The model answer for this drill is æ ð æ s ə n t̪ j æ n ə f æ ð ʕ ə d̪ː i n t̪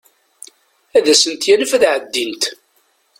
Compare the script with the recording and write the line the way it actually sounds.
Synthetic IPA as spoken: æ ð æ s ə n t̪ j æ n ə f æ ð ʕ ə d̪ː i n t̪